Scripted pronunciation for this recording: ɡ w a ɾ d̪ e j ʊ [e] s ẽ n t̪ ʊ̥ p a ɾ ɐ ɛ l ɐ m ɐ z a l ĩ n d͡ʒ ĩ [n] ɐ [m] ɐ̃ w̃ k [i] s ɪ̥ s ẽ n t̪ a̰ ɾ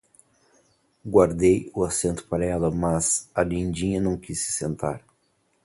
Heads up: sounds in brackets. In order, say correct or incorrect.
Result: incorrect: a, incorrect: ɲ, incorrect: n, correct

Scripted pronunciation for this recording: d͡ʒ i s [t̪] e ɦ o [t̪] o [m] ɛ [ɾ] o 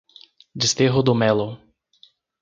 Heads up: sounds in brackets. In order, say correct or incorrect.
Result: correct, incorrect: d̪, correct, incorrect: l

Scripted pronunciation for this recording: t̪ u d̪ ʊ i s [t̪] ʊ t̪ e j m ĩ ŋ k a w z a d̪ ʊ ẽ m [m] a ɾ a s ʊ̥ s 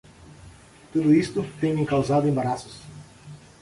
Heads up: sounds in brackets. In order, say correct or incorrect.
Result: correct, incorrect: b

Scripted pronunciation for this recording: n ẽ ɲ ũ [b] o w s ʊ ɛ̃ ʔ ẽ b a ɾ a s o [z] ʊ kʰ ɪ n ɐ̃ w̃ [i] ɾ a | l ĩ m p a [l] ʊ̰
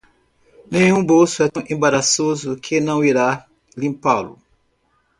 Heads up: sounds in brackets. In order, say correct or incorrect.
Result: correct, correct, correct, correct

